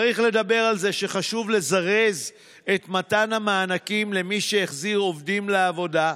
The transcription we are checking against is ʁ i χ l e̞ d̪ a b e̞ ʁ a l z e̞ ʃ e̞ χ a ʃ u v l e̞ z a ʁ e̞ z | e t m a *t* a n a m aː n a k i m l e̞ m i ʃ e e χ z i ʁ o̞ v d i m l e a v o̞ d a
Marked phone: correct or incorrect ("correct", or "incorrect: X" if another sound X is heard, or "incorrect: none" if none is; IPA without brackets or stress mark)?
correct